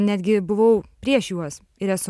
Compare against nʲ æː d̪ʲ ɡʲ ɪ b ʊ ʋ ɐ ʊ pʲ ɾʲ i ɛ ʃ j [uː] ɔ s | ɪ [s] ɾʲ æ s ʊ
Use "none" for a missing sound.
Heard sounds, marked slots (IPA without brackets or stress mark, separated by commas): u, none